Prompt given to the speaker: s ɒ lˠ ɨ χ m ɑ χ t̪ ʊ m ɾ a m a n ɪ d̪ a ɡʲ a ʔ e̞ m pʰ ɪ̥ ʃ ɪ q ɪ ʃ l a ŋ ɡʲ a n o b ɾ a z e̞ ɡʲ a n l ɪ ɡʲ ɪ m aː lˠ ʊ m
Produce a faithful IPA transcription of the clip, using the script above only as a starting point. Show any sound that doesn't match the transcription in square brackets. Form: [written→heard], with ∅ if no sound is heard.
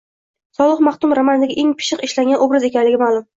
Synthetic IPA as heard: s ɒ lˠ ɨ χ m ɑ χ t̪ ʊ m ɾ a m a n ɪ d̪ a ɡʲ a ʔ e̞ [m→ŋ] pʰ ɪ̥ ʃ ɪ q ɪ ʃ l a ŋ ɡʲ a n o b ɾ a z e̞ [ɡʲ→kʲ] a n l ɪ ɡʲ ɪ m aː lˠ ʊ m

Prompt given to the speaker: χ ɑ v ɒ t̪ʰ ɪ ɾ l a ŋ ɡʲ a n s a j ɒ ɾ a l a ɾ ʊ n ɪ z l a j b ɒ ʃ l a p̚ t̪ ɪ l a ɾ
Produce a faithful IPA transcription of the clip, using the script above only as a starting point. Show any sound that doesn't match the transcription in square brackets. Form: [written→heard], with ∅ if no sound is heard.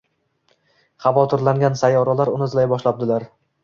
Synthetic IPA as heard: χ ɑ v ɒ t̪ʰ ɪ ɾ l a ŋ ɡʲ a n s a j ɒ ɾ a l a ɾ ʊ n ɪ z l a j b ɒ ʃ l a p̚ [t̪→d̪] ɪ l a ɾ

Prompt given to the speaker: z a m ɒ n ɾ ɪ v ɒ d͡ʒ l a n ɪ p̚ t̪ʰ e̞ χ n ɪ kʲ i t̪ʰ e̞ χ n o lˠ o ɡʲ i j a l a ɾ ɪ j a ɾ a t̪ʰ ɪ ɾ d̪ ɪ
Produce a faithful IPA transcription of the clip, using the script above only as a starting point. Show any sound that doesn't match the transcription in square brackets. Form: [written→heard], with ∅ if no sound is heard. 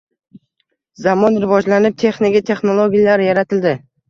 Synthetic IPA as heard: z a m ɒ n ɾ ɪ v ɒ d͡ʒ l a n ɪ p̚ t̪ʰ e̞ χ n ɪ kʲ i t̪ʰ e̞ χ n o lˠ o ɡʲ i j a l a ɾ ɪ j a ɾ a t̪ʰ ɪ [ɾ→l] d̪ ɪ

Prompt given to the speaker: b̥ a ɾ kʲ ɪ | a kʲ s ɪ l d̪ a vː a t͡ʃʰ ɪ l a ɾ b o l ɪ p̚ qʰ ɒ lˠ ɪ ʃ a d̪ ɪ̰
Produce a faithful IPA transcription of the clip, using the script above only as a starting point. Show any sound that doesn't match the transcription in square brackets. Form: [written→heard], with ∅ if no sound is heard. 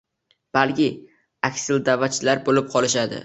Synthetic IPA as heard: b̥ a [ɾ→l] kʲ ɪ | a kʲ s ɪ l d̪ a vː a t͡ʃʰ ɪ l a ɾ b o l ɪ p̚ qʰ ɒ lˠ ɪ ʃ a d̪ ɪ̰

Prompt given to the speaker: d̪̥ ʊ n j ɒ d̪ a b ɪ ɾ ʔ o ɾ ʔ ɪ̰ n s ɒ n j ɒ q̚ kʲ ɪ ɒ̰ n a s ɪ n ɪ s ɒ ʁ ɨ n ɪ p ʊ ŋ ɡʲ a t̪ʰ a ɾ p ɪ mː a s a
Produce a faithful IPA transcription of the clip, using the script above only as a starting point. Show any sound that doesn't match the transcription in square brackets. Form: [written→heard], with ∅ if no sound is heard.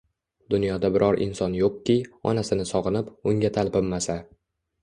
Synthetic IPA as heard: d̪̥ ʊ n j ɒ d̪ a b ɪ ɾ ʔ [o→ɒ] ɾ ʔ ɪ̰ n s ɒ n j [ɒ→o] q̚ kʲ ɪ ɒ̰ n a s ɪ n ɪ s ɒ ʁ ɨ n ɪ p ʊ ŋ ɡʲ a t̪ʰ a [ɾ→l] p ɪ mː a s a

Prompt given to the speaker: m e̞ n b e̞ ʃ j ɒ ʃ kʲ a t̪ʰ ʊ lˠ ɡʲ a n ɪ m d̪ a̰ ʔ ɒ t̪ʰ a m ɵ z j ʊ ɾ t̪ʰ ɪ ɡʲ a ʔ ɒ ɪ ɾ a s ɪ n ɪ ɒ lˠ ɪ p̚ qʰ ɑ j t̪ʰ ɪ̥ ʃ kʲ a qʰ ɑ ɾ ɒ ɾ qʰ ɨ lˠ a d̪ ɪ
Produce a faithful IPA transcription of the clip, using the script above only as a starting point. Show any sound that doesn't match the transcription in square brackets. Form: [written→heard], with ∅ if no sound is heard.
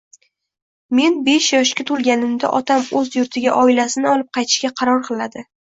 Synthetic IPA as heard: m e̞ n b e̞ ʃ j ɒ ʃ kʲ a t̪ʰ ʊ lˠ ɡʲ a n ɪ m d̪ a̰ ʔ ɒ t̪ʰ a m ɵ z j ʊ ɾ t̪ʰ ɪ ɡʲ a ʔ ɒ ɪ [ɾ→l] a s ɪ n ɪ ɒ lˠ ɪ p̚ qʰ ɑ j t̪ʰ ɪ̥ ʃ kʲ a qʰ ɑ ɾ ɒ ɾ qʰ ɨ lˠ a d̪ ɪ

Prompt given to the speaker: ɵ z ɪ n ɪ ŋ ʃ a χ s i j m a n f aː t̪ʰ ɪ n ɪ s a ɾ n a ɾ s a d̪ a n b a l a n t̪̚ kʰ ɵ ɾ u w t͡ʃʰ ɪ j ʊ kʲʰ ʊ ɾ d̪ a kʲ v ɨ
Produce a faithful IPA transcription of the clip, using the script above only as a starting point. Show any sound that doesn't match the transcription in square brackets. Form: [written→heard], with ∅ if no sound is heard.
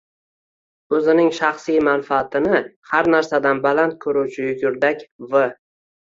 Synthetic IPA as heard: ɵ z ɪ n ɪ ŋ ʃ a χ s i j m a n f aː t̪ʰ ɪ n ɪ [s→h] a ɾ n a ɾ s a d̪ a n b a l a n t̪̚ kʰ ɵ ɾ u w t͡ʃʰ ɪ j ʊ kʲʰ ʊ ɾ d̪ a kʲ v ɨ

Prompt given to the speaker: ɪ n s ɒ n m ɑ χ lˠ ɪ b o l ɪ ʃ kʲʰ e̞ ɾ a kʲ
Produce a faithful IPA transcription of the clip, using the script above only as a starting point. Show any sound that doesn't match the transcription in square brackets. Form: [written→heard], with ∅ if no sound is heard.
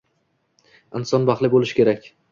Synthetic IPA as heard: ɪ n s ɒ n [m→b] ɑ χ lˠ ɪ b o l ɪ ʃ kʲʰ e̞ ɾ a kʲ

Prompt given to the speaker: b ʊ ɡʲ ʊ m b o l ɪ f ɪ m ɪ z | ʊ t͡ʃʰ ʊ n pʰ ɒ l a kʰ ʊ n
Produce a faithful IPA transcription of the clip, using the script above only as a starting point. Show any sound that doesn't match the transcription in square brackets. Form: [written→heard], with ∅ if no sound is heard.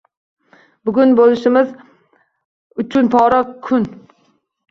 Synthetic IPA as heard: b ʊ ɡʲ ʊ [m→n] b o l ɪ [f→ʃ] ɪ m ɪ z | ʊ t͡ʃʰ ʊ n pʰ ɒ [l→ɾ] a kʰ ʊ n

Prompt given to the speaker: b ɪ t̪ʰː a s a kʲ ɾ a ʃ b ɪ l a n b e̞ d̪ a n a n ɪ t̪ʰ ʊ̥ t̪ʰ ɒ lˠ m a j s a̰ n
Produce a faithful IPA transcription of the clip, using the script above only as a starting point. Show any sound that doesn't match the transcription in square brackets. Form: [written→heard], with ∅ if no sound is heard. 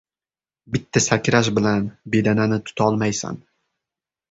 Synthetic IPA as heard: b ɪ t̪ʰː a s a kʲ ɾ a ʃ b ɪ l a n b e̞ d̪ a n a n ɪ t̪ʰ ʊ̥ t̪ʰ ɒ lˠ m a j s a̰ n

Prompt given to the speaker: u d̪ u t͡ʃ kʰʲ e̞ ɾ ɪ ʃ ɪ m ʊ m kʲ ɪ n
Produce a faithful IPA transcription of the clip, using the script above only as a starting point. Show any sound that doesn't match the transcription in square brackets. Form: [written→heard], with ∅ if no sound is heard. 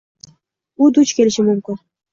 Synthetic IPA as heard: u d̪ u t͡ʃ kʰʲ e̞ [ɾ→l] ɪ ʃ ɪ m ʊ m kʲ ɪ n

